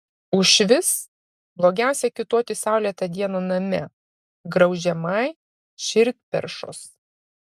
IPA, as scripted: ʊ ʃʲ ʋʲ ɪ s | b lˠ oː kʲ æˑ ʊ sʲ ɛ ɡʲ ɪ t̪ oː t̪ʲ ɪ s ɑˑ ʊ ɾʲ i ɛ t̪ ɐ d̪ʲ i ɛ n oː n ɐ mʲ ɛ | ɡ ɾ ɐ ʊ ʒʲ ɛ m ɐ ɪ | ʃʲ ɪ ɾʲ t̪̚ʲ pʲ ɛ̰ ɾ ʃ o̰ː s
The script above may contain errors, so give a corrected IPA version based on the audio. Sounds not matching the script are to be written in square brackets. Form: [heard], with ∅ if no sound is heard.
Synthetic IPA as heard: ʊ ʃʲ ʋʲ ɪ s | b lˠ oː [ɡʲ] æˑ ʊ sʲ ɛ [kʲ] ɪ t̪ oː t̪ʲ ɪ s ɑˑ ʊ [lʲ] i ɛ t̪ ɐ d̪ʲ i ɛ n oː n ɐ mʲ ɛ | ɡ ɾ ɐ ʊ ʒʲ ɛ m ɐ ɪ | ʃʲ ɪ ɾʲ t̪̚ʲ pʲ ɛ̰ ɾ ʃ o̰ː s